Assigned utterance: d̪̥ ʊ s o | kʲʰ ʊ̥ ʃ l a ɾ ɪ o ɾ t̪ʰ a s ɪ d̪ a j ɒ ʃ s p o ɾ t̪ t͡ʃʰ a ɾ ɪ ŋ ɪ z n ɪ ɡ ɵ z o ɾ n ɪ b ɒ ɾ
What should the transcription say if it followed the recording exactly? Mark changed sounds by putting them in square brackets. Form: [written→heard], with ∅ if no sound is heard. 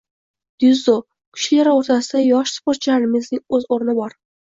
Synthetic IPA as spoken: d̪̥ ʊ [s→z] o | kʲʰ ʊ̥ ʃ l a ɾ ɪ o ɾ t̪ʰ a s ɪ d̪ a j ɒ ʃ s p o ɾ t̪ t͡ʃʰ a ɾ ɪ [ŋ→m] ɪ z n ɪ [ɡ→ŋ] ɵ z o ɾ n ɪ b ɒ ɾ